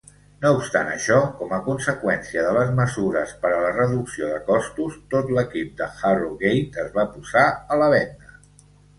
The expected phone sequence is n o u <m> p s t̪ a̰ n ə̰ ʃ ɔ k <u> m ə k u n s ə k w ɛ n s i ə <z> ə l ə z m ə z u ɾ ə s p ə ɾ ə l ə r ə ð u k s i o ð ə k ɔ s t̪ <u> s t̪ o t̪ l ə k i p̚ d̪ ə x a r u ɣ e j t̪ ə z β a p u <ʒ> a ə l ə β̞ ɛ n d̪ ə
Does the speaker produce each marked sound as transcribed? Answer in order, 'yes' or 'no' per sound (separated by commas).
no, no, no, yes, no